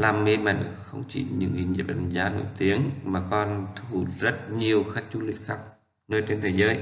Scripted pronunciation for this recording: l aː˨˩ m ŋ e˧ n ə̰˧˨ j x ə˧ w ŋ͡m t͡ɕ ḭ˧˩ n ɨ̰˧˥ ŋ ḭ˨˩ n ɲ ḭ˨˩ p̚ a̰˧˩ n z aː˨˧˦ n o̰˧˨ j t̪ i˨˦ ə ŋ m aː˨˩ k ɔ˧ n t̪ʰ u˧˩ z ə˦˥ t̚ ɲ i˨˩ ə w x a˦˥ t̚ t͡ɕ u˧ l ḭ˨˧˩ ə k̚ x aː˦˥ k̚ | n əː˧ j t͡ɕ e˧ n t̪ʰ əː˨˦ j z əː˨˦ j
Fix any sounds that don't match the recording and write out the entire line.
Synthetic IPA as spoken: l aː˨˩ m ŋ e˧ m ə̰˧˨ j x ə˧ w ŋ͡m t͡ɕ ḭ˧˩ ɲ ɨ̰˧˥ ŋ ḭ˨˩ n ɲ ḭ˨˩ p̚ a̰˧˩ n z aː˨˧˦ n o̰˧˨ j t̪ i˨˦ ə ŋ m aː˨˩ k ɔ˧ n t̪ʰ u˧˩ z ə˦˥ t̚ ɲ i˨˩ ə w x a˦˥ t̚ t͡ɕ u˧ l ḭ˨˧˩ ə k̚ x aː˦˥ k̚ | n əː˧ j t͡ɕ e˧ n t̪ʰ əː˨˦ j z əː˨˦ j